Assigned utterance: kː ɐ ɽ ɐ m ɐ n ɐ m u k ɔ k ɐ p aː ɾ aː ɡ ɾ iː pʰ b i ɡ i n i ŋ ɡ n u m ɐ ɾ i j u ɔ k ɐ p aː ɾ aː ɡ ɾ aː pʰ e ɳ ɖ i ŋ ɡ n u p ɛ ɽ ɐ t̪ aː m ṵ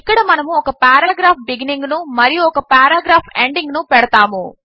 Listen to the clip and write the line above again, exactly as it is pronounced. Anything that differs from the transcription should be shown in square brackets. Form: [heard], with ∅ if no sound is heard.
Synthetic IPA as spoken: kː ɐ ɽ ɐ m ɐ n ɐ m u [∅] ɔ k ɐ p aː ɾ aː ɡ ɾ [aː] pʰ b i ɡ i n i ŋ ɡ n u m ɐ ɾ i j u ɔ k ɐ p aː ɾ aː ɡ ɾ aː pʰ e ɳ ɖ i ŋ ɡ n u p ɛ ɽ ɐ t̪ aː m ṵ